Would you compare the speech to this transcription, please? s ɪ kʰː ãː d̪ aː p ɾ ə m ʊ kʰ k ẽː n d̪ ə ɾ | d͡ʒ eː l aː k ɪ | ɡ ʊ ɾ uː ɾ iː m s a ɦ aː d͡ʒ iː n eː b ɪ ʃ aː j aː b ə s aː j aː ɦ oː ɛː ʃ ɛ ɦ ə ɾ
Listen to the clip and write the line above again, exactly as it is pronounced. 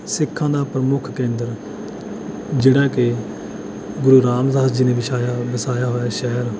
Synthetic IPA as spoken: s ɪ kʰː ãː d̪ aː p ɾ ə m ʊ kʰ k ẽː n d̪ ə ɾ | d͡ʒ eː ɽ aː k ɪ | ɡ ʊ ɾ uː ɾ aː m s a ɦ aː d͡ʒ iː n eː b ɪ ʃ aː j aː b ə s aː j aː ɦ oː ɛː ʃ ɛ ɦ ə ɾ